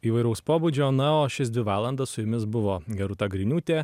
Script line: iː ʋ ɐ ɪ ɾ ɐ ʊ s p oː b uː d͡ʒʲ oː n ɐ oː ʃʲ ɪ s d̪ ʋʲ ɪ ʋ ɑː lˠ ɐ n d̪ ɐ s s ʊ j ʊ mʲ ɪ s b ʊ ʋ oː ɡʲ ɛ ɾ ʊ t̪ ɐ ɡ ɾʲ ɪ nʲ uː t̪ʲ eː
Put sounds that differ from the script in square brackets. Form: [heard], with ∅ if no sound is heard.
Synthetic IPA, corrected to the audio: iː ʋ ɐ ɪ ɾ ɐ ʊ s p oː b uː d͡ʒʲ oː n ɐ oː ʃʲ ɪ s d̪ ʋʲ ɪ ʋ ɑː lˠ ɐ n d̪ ɐ s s ʊ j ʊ mʲ ɪ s b ʊ ʋ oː ɡʲ ɛ ɾ ʊ t̪ ɐ ɡ ɾʲ ɪ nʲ uː t̪ʲ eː